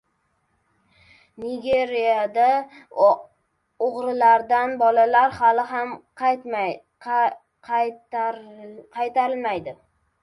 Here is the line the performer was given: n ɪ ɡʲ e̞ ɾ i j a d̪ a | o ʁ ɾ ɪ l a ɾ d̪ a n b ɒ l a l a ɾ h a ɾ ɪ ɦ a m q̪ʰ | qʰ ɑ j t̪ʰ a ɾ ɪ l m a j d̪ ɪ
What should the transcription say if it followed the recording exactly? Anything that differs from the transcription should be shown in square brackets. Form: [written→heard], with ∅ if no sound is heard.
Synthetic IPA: n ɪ ɡʲ e̞ ɾ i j a d̪ a | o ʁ ɾ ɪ l a ɾ d̪ a n b ɒ l a l a ɾ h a [ɾ→l] ɪ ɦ a m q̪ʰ | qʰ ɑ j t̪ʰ a ɾ ɪ l m a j d̪ ɪ